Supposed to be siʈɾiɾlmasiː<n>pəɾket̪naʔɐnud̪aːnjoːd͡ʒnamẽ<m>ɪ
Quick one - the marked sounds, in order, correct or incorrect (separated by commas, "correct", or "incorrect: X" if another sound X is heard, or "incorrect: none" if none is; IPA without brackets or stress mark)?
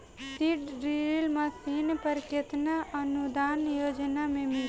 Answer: correct, correct